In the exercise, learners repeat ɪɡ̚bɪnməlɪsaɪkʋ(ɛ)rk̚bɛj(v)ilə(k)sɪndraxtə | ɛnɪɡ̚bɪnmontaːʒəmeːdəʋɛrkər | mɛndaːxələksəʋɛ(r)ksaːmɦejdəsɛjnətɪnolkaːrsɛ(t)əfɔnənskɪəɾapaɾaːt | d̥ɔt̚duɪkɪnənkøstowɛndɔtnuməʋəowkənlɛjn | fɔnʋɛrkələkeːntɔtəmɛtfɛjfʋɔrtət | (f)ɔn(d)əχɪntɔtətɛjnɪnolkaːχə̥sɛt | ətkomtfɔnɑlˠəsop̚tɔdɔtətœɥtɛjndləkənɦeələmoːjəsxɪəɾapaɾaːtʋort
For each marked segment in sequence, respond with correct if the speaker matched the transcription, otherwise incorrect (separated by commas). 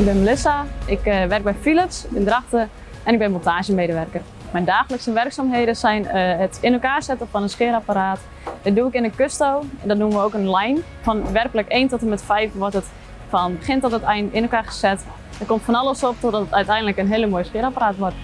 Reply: correct, incorrect, incorrect, correct, correct, correct, incorrect